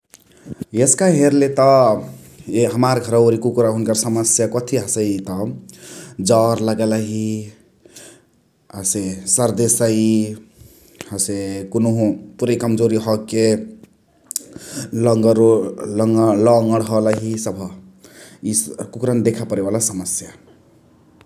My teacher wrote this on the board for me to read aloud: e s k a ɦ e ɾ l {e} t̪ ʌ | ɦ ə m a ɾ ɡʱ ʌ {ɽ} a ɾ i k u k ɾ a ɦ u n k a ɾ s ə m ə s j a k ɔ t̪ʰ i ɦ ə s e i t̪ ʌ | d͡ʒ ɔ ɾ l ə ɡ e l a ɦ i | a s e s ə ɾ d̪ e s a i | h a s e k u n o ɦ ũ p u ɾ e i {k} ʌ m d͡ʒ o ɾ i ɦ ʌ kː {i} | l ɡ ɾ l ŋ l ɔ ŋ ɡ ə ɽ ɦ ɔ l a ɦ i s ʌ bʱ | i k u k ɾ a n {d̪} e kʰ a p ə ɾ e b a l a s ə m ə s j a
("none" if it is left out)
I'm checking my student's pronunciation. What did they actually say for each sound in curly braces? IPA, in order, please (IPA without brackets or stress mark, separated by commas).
e, ɾ, k, e, d̪